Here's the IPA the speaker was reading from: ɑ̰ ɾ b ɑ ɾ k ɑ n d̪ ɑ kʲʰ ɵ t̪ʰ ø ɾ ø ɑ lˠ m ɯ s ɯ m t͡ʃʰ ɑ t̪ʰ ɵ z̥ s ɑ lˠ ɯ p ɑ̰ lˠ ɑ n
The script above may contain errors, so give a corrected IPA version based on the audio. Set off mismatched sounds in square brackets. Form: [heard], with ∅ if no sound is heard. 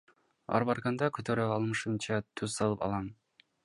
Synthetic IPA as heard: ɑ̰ ɾ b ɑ ɾ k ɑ n d̪ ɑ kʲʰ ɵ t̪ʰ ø ɾ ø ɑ lˠ m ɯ [ʃ] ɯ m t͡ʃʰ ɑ t̪ʰ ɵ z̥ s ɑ lˠ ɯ p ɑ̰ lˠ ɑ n